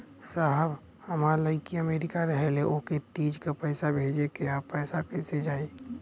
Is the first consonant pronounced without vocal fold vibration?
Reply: yes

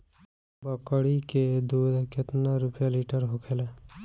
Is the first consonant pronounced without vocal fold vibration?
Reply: no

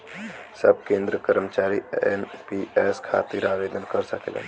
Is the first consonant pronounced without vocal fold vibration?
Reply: yes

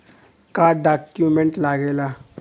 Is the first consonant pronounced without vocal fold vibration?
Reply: yes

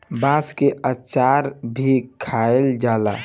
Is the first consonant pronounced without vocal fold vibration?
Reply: no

